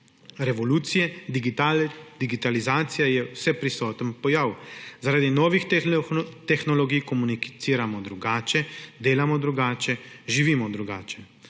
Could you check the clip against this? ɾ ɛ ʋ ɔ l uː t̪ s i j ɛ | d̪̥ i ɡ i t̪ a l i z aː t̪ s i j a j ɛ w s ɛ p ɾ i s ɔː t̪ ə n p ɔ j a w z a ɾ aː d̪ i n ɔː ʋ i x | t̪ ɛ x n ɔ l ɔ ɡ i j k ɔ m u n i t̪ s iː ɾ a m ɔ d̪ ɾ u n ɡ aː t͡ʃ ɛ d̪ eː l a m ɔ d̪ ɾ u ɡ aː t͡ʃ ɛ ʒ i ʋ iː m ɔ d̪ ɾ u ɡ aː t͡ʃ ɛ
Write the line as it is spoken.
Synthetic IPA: ɾ ɛ ʋ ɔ l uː t̪ s i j ɛ | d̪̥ i ɡ i t̪ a l i z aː t̪ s i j a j ɛ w s ɛ p ɾ i s ɔː t̪ ə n p ɔ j a w z a ɾ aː d̪ i n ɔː ʋ i x | t̪ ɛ x n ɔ l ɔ ɡ i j k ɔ m u n i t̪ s iː ɾ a m ɔ d̪ ɾ u ɡ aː t͡ʃ ɛ d̪ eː l a m ɔ d̪ ɾ u ɡ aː t͡ʃ ɛ ʒ i ʋ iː m ɔ d̪ ɾ u ɡ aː t͡ʃ ɛ